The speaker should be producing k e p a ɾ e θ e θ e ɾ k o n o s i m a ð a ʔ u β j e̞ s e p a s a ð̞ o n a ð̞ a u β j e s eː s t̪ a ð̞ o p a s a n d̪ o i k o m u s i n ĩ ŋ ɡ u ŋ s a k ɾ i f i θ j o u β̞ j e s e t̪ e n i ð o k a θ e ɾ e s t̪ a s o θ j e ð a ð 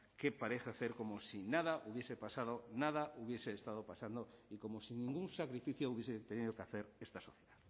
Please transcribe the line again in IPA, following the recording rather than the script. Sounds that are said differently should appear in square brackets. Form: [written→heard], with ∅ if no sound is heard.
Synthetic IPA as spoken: k e p a ɾ e θ [e→a] θ e ɾ k o [n→m] o s i [m→n] a ð a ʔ u β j e̞ s e p a s a ð̞ o n a ð̞ a u β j e s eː s t̪ a ð̞ o p a s a n d̪ o i k o m [u→o] s i n ĩ ŋ ɡ u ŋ s a k ɾ i f i θ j o u β̞ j e s e t̪ e n i ð o k a θ e ɾ e s t̪ a s o θ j e ð a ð